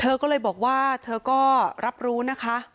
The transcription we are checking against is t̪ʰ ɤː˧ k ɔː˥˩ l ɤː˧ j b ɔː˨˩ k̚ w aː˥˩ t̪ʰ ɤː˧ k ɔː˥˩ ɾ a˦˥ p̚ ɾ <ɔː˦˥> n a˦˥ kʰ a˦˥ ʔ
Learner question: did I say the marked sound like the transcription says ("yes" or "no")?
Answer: no